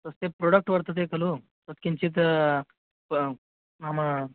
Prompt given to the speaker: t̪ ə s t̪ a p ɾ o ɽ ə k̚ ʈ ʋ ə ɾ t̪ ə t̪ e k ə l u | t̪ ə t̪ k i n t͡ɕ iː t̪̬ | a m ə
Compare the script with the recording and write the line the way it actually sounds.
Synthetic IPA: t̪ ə s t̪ e p ɾ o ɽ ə k̚ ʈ ʋ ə ɾ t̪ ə t̪ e k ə l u | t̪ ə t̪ k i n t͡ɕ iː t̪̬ | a m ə